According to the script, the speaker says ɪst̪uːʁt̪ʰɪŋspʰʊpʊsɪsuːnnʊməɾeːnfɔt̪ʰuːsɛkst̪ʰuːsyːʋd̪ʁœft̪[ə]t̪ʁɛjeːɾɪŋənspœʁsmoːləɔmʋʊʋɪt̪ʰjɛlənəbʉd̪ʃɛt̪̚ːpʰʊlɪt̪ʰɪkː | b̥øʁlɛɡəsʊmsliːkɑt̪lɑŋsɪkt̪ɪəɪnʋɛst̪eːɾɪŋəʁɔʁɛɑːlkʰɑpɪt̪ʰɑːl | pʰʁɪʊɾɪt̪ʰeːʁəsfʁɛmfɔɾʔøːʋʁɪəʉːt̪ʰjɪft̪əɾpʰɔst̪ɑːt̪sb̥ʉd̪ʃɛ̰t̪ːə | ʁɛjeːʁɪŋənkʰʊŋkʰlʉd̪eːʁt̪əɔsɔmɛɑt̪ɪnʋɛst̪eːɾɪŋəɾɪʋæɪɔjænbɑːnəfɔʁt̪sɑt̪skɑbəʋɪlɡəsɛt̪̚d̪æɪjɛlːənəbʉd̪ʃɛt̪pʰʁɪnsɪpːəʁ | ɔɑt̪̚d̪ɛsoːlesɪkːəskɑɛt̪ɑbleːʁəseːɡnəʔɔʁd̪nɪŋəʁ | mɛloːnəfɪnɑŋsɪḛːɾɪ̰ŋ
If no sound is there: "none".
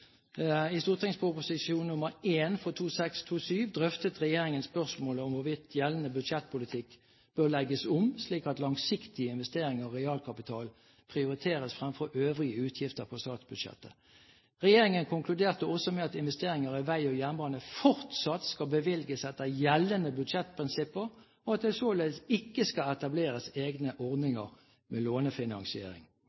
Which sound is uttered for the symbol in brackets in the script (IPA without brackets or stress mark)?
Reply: ə